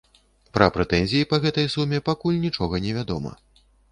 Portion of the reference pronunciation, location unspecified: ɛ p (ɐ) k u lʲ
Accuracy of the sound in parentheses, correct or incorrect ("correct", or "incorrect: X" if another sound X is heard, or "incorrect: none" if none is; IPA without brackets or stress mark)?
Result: incorrect: a